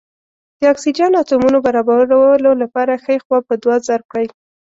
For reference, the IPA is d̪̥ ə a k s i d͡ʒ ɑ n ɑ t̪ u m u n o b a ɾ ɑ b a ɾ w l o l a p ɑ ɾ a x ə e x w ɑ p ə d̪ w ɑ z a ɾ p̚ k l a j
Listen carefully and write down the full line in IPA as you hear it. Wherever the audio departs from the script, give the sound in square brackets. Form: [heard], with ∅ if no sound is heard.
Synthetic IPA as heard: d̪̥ ə [ɑ] k s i d͡ʒ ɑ n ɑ t̪ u m u n o b a ɾ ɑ b a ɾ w l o l a p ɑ ɾ a x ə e x w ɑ p ə d̪ w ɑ z a ɾ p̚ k [ɽ] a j